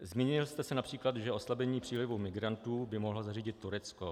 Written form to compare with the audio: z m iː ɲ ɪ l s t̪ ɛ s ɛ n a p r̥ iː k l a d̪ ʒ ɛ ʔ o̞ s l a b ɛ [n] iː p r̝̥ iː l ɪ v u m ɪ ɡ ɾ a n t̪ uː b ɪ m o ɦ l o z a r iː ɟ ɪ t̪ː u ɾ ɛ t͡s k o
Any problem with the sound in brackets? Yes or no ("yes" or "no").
yes